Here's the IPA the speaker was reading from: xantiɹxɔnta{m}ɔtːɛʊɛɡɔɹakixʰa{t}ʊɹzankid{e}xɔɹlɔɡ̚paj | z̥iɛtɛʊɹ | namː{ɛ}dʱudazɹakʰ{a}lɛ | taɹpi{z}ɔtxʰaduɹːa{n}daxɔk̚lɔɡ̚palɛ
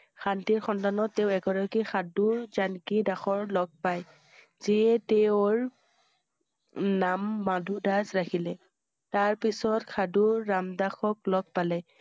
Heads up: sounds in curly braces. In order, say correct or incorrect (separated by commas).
incorrect, incorrect, incorrect, incorrect, incorrect, incorrect, incorrect